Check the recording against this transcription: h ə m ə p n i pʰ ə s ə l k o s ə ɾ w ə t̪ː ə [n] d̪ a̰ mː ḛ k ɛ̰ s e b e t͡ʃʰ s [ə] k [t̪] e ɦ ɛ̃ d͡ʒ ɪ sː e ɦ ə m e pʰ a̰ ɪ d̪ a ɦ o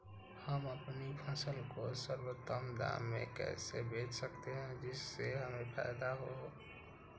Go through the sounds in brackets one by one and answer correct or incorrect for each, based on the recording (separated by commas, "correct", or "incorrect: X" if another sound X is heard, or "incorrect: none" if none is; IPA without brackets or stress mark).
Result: incorrect: m, correct, correct